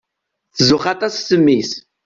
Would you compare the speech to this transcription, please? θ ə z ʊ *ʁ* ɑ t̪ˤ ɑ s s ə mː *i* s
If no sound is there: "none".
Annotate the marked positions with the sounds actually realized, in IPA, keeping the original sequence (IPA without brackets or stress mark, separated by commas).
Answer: χ, i